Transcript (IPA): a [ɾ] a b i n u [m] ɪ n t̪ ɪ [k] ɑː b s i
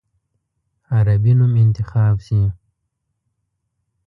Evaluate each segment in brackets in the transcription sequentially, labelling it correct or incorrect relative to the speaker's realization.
correct, correct, incorrect

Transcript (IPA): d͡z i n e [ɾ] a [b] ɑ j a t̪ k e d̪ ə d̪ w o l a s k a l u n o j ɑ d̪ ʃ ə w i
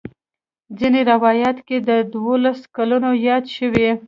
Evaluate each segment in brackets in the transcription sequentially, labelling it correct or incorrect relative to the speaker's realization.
correct, incorrect

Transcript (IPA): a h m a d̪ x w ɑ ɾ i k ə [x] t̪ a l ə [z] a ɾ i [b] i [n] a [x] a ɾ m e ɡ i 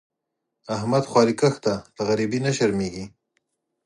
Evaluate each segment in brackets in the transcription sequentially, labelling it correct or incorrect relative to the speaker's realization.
correct, incorrect, correct, correct, incorrect

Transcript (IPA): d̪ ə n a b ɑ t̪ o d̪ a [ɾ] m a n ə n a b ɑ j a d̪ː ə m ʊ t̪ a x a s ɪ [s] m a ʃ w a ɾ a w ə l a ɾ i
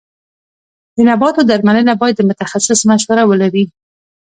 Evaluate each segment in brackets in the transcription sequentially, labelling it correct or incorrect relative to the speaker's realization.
correct, correct

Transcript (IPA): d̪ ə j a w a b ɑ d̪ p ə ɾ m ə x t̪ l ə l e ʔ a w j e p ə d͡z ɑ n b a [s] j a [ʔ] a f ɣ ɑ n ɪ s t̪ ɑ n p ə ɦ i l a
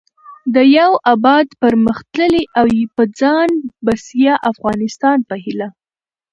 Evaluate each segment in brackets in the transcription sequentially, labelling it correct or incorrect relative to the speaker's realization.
correct, correct

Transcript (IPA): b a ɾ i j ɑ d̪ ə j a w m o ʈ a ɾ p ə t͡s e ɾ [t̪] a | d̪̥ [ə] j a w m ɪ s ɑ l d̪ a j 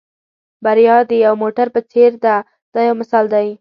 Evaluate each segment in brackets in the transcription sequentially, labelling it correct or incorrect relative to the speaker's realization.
incorrect, incorrect

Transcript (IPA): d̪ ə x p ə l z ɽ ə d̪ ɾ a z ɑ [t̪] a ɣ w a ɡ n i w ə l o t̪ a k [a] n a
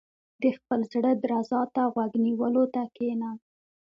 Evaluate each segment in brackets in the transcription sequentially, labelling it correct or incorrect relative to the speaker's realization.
correct, incorrect

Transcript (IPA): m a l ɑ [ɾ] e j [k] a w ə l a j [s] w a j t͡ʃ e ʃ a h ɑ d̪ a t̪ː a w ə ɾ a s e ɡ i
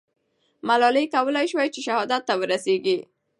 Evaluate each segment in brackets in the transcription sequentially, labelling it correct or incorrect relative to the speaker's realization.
incorrect, correct, incorrect

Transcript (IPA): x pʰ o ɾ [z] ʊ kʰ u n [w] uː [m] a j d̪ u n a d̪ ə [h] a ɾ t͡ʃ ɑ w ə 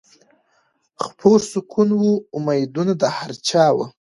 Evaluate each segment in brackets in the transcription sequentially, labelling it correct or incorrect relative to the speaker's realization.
incorrect, correct, correct, correct

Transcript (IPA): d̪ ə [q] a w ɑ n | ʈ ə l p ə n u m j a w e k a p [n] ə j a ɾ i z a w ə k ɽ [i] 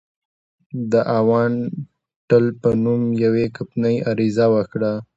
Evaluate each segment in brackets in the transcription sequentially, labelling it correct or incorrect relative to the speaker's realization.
incorrect, correct, incorrect

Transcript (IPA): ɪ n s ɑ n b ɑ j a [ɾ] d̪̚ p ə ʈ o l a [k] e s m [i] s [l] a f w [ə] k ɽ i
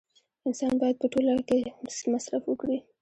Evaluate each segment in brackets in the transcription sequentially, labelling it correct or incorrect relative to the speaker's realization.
incorrect, correct, incorrect, incorrect, correct

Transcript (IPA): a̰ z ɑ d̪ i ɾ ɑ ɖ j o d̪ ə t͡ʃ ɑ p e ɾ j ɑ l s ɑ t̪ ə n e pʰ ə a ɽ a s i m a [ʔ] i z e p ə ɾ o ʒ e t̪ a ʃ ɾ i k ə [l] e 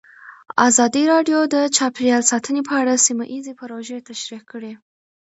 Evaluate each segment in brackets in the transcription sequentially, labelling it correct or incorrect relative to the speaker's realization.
correct, incorrect

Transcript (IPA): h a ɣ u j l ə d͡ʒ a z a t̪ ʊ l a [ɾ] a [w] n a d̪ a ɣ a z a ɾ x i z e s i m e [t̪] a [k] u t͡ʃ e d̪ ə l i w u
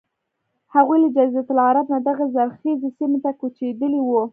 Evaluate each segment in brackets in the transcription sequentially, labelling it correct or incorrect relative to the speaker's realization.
correct, incorrect, correct, correct

